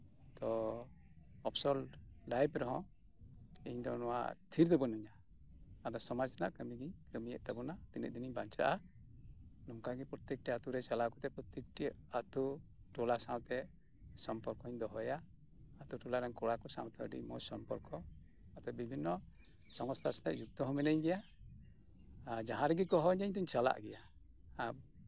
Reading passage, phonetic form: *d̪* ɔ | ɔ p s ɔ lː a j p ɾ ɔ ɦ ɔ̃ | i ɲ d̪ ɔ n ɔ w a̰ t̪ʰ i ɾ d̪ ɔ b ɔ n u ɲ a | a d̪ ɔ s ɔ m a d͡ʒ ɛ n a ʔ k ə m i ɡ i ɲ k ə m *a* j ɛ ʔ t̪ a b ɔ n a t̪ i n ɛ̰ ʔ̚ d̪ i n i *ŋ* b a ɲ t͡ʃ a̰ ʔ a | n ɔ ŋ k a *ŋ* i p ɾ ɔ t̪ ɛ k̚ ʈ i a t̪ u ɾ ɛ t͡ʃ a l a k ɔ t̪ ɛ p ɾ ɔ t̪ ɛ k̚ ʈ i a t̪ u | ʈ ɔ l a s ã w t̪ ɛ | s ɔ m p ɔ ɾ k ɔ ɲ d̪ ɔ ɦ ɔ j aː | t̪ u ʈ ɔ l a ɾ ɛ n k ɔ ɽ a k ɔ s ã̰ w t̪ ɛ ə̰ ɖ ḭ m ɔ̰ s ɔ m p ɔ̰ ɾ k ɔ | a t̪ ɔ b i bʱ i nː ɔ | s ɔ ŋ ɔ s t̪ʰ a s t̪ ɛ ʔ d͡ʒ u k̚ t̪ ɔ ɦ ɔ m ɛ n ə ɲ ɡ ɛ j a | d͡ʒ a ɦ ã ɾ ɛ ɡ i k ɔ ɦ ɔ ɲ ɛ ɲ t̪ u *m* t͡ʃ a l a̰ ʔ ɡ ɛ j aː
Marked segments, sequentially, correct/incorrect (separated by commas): incorrect, incorrect, incorrect, incorrect, incorrect